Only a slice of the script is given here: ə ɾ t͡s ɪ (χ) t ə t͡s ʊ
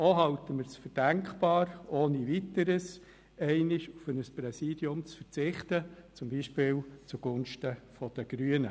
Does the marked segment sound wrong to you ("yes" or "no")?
no